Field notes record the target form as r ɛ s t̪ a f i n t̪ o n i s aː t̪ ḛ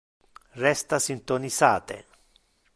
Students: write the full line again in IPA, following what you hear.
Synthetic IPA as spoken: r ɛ s t̪ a s i n t̪ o n i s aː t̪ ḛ